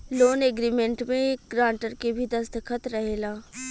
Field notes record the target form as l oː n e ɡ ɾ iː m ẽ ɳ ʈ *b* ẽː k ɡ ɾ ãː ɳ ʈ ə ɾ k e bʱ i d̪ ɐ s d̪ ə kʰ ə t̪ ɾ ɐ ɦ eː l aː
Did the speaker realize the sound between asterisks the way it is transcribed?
no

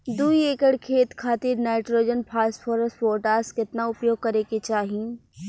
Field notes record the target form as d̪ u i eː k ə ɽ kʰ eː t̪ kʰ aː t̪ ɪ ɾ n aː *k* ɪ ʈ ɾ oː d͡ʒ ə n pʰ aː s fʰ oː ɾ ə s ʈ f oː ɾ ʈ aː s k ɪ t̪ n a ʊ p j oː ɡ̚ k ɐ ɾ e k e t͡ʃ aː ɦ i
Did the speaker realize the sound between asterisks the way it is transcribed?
no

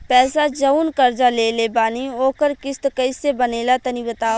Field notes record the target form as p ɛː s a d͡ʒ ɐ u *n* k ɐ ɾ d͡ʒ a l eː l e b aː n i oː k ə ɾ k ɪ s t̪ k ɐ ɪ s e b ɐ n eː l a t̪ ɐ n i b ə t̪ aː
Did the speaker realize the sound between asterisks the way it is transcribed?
yes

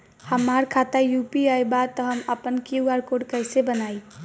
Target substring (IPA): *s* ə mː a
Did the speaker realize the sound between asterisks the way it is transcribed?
no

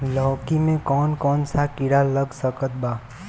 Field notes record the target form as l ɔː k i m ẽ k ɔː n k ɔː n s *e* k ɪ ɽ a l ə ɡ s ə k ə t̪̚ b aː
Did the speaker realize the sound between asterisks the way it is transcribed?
no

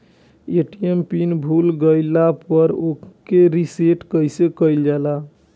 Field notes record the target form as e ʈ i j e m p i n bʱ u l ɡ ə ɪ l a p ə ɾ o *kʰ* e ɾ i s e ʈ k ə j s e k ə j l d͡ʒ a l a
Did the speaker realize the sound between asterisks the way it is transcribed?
no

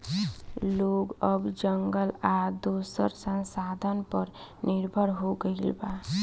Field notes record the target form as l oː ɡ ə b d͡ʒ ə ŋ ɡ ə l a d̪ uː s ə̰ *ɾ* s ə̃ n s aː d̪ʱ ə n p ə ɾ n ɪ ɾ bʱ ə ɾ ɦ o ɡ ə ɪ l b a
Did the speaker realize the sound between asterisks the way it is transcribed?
yes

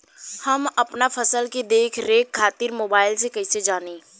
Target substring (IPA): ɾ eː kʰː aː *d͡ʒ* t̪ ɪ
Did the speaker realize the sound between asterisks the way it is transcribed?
no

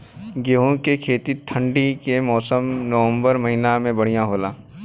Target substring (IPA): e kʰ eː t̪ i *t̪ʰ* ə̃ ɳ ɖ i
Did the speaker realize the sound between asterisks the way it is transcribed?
yes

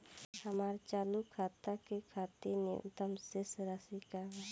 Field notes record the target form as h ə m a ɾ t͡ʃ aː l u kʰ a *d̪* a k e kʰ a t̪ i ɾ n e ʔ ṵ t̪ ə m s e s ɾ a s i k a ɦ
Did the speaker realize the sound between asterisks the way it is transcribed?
no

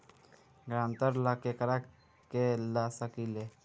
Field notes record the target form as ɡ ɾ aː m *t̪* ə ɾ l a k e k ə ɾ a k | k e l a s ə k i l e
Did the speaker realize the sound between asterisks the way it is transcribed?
yes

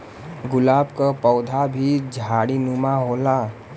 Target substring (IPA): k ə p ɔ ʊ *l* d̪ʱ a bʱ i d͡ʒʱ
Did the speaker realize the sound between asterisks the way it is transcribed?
no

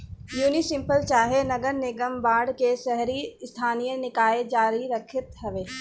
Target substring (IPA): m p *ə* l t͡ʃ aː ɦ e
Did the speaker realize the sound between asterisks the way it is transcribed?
yes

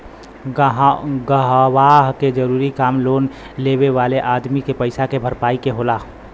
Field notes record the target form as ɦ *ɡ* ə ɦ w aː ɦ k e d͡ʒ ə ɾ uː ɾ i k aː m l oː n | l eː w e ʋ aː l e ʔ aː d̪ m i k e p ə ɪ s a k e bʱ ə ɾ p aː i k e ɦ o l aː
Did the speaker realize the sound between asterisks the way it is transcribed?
yes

